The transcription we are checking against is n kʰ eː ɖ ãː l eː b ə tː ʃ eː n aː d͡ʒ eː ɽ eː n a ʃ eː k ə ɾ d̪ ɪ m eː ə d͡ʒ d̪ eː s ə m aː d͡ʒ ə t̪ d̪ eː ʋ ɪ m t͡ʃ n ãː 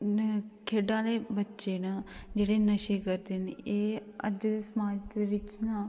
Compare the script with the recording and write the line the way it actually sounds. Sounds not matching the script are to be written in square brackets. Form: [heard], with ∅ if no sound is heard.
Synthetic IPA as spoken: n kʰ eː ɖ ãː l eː b ə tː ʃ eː n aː d͡ʒ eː ɽ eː n [ə] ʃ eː k ə ɾ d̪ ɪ [n] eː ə d͡ʒ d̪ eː s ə m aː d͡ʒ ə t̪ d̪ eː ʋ ɪ [∅] t͡ʃ n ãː